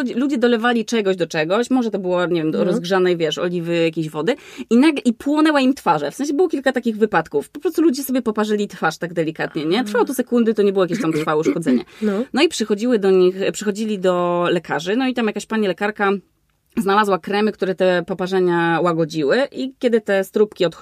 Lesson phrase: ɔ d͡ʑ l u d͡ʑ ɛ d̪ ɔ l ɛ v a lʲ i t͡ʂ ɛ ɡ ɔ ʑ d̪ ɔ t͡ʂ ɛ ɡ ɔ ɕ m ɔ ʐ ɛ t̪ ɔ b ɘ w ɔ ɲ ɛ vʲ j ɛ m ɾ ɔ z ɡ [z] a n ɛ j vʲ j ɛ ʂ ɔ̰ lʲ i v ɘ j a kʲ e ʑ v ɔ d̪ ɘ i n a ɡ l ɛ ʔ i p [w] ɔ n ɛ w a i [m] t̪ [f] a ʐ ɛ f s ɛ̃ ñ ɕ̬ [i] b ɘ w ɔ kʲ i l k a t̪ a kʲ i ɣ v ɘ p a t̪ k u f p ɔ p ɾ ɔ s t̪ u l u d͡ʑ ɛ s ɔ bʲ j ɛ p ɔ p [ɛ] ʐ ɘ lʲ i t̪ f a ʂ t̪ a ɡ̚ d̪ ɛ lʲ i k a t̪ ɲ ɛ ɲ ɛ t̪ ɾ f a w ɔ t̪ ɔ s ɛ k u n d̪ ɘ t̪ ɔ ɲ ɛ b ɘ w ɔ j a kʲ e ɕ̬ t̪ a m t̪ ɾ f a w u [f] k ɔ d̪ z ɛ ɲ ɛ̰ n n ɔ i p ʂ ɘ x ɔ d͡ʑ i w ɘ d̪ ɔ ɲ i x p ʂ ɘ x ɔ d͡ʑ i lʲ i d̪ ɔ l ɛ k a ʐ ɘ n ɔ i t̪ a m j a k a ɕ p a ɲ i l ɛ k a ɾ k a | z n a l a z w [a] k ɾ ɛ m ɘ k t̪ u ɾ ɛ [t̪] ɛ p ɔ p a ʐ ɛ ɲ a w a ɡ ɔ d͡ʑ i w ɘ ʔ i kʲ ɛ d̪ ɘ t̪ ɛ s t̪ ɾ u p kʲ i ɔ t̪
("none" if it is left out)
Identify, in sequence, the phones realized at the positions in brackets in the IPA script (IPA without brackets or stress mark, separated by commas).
ʐ, w, m, f, ɛ, a, ʂ, a, t̪